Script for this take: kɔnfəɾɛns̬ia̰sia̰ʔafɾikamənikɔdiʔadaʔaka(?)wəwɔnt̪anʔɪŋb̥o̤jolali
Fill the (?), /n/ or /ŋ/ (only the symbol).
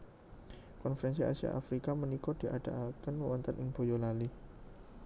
n